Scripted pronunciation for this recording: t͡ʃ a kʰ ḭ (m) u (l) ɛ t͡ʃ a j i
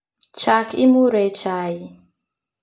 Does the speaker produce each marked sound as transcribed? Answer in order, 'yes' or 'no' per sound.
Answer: yes, no

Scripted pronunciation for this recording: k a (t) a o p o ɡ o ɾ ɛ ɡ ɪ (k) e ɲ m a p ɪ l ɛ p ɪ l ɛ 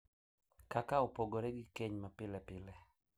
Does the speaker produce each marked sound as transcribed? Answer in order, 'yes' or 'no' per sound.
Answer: no, yes

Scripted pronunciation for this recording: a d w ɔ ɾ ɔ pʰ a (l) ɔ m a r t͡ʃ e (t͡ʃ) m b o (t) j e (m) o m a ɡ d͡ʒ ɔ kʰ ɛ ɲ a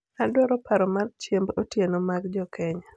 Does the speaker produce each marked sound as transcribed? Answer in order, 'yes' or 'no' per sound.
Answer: no, no, yes, no

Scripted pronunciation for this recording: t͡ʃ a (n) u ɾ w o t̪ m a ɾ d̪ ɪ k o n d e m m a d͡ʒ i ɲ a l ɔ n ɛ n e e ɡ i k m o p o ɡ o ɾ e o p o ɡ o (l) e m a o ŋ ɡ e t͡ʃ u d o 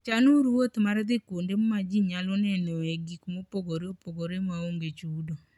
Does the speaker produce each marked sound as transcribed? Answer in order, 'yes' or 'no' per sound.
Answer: yes, no

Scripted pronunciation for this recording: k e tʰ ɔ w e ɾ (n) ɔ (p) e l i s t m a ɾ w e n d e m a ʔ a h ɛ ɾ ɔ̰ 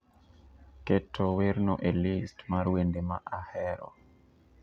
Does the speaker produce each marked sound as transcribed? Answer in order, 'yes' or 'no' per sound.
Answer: yes, no

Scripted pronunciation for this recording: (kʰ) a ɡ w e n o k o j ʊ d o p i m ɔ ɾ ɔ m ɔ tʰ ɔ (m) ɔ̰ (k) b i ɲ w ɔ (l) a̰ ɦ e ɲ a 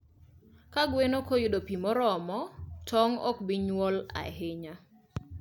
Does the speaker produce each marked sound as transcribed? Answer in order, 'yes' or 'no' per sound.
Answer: no, no, yes, yes

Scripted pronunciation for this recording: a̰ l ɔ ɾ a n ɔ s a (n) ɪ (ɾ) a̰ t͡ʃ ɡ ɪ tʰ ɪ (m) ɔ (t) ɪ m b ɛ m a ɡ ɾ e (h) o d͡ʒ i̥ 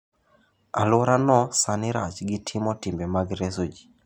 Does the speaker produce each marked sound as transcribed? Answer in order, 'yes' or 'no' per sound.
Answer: yes, yes, yes, yes, no

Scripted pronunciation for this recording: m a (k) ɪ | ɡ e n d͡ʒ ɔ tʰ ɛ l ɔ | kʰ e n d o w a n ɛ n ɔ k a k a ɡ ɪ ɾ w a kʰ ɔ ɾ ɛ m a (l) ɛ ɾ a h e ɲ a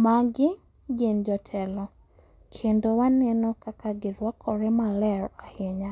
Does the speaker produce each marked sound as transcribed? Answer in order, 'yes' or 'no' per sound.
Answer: no, yes

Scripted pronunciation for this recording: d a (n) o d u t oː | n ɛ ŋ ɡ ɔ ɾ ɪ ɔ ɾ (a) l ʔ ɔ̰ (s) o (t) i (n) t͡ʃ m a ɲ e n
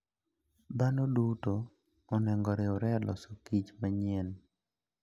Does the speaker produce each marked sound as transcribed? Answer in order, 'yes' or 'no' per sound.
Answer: yes, no, yes, no, no

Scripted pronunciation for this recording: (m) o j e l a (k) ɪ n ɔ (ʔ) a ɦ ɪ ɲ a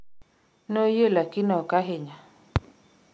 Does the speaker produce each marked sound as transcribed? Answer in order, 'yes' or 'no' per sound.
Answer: no, yes, no

